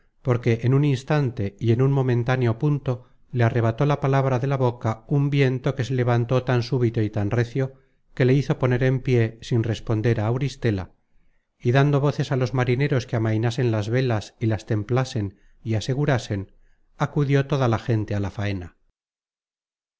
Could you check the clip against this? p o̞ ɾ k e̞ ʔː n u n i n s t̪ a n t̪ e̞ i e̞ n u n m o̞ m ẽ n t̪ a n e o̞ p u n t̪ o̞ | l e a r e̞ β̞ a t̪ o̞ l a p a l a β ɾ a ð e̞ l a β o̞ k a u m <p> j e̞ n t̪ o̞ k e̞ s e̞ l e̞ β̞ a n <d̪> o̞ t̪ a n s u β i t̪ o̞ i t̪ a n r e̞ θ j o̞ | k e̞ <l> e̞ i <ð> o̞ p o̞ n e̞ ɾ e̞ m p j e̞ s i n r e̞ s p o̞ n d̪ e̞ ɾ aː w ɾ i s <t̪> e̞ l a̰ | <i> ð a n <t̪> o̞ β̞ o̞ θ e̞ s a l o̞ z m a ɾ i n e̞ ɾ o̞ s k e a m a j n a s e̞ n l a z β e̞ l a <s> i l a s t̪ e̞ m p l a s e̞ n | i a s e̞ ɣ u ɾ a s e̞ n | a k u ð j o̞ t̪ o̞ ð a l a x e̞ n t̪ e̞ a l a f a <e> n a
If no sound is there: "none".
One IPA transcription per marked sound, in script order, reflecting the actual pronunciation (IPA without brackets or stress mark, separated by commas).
b, t̪, l, θ, t̪, i, d̪, s, e